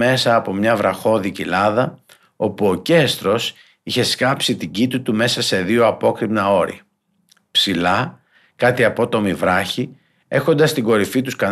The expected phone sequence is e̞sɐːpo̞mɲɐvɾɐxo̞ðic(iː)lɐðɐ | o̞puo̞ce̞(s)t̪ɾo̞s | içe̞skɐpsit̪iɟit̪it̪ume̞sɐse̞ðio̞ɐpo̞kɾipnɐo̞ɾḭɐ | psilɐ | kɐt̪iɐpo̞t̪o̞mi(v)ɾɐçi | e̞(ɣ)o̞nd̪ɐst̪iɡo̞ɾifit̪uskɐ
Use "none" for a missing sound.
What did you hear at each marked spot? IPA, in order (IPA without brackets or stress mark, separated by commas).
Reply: i, s, v, x